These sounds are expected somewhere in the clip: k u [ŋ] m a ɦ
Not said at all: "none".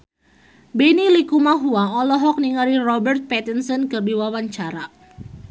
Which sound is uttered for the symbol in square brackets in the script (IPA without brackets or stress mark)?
none